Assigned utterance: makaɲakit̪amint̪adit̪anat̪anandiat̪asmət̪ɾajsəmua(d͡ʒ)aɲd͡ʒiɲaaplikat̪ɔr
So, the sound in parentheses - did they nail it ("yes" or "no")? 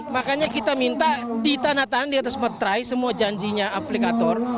yes